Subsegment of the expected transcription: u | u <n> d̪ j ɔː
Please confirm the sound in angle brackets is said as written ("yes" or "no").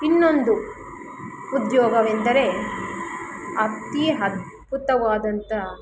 no